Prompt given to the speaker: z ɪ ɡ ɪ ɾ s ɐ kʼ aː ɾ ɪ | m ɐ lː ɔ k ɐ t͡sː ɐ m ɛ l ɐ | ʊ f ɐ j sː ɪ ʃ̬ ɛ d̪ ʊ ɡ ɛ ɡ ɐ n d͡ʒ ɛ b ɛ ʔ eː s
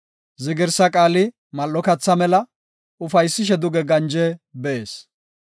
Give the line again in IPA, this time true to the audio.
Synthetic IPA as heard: z ɪ ɡ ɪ ɾ s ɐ kʼ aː l ɪ | m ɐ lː ɔ k ɐ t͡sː ɐ m ɛ l ɐ | ʊ f ɐ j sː ɪ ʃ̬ ɛ d̪ ʊ ɡ ɛ ɡ ɐ n d͡ʒ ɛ b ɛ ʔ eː s